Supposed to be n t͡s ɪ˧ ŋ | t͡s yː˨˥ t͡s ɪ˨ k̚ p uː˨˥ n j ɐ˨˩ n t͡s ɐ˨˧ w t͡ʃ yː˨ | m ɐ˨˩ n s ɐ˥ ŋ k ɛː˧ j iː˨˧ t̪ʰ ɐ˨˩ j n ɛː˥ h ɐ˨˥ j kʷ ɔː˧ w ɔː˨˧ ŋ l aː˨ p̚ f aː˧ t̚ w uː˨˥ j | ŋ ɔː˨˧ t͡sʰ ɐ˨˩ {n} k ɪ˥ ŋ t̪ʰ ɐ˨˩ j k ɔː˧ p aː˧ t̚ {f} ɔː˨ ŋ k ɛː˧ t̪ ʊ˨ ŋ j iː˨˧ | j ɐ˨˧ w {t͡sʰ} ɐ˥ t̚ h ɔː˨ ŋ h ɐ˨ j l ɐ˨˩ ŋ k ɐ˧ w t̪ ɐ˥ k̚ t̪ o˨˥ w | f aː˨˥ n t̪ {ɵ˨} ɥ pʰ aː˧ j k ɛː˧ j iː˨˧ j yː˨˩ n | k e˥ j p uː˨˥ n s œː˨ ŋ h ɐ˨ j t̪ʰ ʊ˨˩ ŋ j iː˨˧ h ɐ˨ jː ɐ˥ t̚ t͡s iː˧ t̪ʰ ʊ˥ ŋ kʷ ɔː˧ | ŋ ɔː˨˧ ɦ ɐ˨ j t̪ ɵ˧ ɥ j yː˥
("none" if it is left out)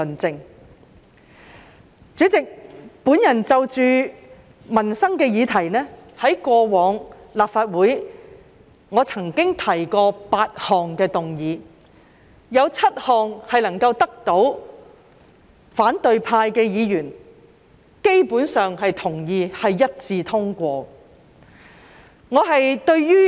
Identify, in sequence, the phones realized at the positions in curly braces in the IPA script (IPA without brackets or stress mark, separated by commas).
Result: ŋ, h, t͡sʰ, ɵ˨